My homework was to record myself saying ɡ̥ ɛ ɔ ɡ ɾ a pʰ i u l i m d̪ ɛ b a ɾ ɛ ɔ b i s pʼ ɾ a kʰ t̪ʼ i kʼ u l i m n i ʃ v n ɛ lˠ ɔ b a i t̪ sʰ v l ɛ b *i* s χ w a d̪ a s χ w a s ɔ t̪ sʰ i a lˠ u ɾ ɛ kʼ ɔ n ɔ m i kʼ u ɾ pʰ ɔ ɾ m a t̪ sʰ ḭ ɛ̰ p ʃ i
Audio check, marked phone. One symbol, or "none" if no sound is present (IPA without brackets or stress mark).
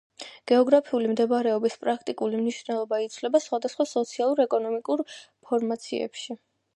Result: a